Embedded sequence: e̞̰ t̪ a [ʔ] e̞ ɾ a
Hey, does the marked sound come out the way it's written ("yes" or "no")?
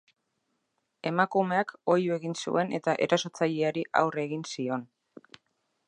yes